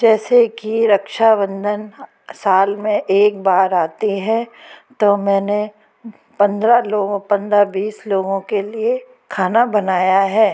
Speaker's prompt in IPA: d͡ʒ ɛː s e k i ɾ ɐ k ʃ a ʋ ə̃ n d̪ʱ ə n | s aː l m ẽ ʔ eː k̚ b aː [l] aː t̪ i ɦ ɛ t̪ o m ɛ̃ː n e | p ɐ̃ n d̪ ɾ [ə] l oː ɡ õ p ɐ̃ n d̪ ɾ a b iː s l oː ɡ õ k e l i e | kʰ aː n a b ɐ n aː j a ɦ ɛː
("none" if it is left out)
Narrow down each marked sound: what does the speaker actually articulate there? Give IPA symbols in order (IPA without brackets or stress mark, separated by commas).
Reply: ɾ, a